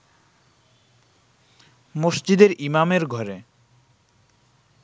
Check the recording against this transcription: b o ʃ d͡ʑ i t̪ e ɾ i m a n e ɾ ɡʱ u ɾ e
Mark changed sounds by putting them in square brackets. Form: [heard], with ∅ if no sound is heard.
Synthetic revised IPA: [m] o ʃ d͡ʑ i [d̪] e ɾ i m a [m] e ɾ ɡʱ [ɔ] ɾ e